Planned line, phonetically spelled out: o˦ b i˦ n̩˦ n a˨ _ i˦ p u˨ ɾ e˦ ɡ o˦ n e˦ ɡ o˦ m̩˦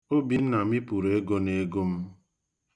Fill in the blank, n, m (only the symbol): m